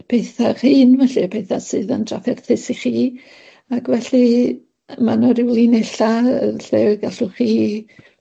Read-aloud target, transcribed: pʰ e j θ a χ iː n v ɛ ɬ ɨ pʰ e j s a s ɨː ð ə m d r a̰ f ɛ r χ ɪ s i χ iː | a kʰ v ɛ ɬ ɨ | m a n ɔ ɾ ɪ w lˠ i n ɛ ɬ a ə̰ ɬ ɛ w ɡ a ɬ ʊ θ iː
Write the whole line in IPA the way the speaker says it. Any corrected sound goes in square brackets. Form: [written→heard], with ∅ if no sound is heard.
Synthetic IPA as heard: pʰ e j θ a χ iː n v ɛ ɬ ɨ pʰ e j [s→θ] a s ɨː ð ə [m→n] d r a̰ f ɛ r [χ→θ] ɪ s i χ iː | a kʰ v ɛ ɬ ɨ | m a n ɔ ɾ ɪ w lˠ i n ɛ ɬ a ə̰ ɬ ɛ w ɡ a ɬ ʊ [θ→χ] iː